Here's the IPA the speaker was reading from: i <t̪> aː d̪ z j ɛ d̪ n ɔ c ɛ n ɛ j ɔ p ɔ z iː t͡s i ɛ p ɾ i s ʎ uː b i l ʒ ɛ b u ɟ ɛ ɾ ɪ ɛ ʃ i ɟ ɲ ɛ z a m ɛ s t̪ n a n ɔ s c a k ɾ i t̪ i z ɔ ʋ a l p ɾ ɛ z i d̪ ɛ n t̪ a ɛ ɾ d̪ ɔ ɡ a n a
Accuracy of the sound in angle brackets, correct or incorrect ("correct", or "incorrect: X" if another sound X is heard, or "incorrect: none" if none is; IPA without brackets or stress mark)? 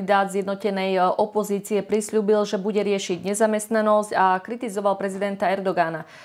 incorrect: d̪